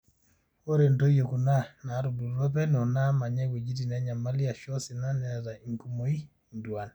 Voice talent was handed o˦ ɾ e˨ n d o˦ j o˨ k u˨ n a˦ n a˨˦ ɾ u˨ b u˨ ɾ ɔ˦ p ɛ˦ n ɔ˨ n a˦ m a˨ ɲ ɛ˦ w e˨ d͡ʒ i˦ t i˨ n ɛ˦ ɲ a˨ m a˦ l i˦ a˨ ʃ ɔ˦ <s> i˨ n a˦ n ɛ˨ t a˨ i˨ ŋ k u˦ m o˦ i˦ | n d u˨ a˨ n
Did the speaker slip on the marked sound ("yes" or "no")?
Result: no